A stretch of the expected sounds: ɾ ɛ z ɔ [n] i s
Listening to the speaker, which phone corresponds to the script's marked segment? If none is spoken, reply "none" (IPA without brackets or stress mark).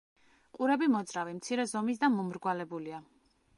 m